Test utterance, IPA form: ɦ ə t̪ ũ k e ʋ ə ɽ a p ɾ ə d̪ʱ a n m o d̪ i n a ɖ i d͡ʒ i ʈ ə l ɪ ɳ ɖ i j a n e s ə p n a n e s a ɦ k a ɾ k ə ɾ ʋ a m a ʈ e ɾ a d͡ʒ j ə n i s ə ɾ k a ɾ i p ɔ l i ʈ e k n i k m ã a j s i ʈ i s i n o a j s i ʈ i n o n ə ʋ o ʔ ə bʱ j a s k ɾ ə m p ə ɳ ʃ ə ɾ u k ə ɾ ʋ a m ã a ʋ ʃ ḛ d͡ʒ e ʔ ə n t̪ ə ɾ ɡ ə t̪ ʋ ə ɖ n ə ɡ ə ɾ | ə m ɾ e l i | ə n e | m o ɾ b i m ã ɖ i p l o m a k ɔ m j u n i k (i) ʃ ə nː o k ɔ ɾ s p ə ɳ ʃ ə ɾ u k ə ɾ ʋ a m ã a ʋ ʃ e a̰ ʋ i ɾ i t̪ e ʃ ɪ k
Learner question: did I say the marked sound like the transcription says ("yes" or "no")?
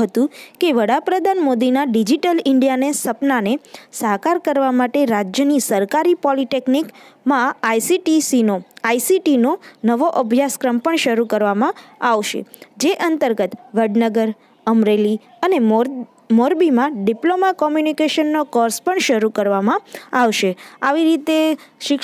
no